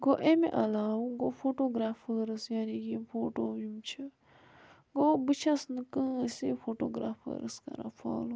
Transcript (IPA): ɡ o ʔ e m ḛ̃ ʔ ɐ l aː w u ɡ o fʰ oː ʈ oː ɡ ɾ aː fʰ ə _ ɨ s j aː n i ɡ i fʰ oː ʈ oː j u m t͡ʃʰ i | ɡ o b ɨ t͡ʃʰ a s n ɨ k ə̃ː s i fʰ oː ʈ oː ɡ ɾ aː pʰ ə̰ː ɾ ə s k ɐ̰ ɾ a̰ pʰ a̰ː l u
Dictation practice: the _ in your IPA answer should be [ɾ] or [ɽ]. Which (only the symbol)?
ɾ